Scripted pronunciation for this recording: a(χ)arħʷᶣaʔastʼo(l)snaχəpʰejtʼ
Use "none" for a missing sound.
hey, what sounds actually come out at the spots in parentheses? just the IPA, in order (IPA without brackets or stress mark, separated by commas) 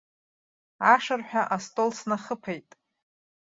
ʂ, l